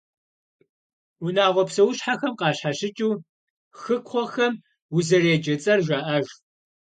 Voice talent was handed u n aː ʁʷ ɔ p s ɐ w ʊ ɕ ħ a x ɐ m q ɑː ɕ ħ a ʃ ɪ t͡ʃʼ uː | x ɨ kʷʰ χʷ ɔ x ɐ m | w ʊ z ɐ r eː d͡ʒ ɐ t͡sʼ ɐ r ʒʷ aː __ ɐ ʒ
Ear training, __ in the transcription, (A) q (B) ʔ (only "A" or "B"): B